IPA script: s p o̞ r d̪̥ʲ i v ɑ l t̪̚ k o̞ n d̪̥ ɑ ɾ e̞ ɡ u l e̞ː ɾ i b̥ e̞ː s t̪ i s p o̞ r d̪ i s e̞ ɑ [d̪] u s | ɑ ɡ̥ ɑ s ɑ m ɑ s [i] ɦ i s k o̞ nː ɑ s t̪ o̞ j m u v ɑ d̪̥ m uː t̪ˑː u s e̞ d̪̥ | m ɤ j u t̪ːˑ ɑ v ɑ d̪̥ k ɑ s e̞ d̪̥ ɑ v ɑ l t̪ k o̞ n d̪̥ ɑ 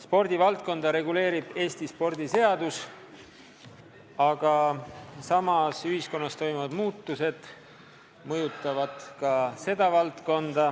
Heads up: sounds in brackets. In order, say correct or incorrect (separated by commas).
correct, incorrect